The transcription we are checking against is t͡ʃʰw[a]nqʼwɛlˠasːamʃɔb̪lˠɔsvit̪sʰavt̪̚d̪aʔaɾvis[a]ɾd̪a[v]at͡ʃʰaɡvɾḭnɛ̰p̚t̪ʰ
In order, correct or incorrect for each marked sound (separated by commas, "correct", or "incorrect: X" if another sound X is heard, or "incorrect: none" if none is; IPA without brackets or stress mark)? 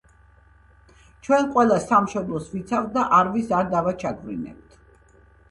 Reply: incorrect: ɛ, correct, correct